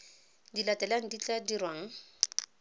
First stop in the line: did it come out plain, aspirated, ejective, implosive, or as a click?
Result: plain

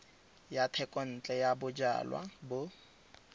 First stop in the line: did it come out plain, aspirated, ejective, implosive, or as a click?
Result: aspirated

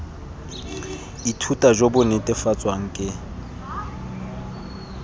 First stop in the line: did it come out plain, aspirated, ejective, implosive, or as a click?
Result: aspirated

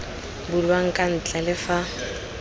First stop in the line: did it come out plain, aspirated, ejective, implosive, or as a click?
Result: plain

